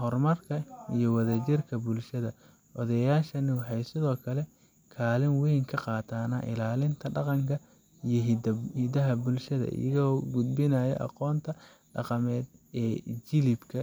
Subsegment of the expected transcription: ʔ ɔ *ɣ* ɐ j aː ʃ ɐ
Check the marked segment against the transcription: incorrect: ð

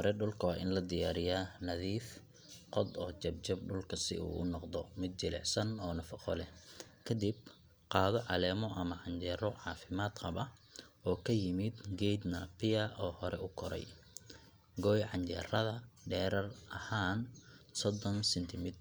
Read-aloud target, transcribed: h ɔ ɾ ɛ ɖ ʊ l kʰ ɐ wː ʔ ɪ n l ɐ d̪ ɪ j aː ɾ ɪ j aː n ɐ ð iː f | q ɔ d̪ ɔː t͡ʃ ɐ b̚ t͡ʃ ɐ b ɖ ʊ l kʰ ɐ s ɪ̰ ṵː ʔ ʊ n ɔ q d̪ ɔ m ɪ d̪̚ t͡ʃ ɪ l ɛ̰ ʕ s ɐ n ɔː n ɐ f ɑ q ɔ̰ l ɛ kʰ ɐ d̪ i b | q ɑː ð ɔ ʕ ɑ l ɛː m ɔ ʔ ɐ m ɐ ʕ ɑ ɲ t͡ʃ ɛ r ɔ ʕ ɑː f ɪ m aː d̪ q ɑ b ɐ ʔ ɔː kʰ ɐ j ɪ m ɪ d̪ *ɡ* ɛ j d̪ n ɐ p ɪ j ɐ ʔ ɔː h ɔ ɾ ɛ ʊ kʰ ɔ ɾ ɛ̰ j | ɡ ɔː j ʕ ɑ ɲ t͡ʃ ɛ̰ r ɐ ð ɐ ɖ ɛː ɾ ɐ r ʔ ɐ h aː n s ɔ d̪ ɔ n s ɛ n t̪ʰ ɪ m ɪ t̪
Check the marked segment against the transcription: correct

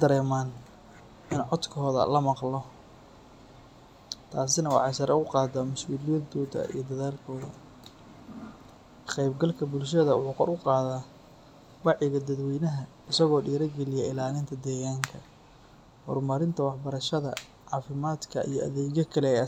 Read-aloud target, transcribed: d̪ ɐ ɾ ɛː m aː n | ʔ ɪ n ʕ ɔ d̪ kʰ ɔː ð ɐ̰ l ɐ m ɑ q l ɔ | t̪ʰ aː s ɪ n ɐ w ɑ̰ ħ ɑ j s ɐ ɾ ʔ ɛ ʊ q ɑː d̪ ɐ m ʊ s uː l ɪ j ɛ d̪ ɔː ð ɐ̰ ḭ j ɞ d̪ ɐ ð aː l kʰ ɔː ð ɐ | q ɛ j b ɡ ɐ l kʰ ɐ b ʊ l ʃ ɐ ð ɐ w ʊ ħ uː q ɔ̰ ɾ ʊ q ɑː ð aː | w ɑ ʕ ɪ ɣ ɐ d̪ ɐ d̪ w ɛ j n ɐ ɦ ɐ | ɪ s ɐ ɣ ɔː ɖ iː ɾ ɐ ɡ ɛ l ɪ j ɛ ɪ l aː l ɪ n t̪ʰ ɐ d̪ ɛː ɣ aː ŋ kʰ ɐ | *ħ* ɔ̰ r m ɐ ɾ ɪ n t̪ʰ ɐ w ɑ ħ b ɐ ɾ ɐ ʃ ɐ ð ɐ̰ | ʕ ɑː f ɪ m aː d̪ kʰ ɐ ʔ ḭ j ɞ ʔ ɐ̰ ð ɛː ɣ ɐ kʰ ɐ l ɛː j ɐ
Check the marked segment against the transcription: incorrect: h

